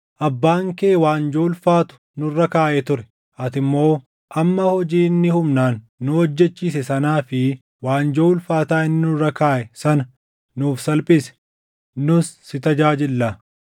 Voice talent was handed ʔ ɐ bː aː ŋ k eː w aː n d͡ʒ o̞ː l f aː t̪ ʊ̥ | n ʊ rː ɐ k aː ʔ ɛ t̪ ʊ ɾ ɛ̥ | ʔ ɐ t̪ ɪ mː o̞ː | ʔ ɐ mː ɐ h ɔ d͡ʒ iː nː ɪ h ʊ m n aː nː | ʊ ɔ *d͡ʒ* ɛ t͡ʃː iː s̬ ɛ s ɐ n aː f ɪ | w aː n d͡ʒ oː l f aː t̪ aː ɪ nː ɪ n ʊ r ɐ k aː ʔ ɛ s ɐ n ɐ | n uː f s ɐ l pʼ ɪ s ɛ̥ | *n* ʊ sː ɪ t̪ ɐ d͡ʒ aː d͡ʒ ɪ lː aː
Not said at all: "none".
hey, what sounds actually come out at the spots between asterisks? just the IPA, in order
d͡ʒː, n

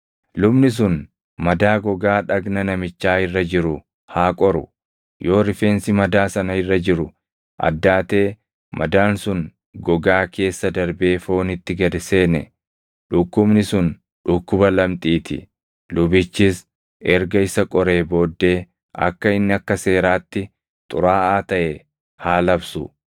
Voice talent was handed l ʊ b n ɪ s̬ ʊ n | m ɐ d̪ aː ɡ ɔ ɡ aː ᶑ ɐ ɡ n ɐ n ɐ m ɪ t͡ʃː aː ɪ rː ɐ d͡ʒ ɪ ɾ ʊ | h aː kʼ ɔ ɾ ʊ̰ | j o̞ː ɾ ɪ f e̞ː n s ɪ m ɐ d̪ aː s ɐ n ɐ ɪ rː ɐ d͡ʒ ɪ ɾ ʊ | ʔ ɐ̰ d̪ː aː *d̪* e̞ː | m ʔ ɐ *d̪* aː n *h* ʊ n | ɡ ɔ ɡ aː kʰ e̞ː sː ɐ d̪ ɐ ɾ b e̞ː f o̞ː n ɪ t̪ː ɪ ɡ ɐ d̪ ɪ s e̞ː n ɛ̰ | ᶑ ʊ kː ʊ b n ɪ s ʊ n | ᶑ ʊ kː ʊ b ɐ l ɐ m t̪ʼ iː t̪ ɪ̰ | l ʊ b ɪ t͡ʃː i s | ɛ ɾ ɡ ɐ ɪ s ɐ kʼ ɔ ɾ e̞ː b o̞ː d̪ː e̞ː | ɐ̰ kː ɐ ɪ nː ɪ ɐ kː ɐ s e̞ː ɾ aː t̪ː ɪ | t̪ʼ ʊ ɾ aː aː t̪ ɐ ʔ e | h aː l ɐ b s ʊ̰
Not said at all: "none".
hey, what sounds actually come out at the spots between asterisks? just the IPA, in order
t̪, d̪, s

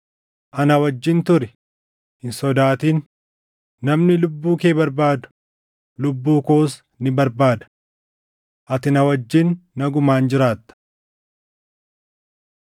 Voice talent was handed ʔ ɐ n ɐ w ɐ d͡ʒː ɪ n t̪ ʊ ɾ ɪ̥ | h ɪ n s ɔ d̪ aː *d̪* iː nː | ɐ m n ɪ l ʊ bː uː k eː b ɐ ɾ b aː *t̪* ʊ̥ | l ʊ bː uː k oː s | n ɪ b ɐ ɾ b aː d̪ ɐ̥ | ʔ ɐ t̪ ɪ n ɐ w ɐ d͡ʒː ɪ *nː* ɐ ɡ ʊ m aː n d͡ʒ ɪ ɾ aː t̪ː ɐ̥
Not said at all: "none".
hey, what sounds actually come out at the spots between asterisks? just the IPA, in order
t̪, d̪, nː

